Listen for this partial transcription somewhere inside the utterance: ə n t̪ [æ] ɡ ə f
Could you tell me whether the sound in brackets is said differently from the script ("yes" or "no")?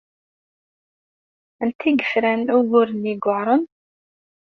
yes